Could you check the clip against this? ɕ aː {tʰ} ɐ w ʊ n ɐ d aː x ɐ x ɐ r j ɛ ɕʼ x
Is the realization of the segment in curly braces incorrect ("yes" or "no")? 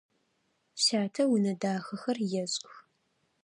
no